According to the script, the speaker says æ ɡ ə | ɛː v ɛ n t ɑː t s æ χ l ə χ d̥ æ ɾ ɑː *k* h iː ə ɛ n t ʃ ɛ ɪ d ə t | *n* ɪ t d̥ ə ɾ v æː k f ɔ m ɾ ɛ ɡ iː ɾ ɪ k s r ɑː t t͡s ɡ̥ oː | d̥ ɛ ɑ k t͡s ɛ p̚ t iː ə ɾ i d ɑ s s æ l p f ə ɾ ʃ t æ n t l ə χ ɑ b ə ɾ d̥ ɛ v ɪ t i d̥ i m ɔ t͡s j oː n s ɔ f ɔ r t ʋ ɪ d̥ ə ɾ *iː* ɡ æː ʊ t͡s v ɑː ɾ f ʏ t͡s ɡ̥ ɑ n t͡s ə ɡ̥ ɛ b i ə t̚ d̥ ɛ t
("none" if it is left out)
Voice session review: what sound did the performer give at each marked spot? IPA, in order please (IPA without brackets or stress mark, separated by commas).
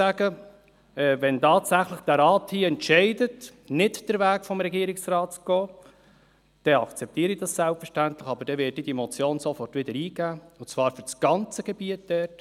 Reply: t, n, iː